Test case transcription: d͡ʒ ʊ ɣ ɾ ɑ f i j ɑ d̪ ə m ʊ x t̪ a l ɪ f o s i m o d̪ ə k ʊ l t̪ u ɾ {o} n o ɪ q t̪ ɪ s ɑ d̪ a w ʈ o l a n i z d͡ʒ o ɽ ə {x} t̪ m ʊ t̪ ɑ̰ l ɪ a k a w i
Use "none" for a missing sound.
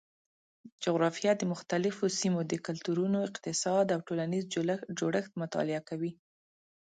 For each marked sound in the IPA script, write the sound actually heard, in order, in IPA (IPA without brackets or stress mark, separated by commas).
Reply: u, x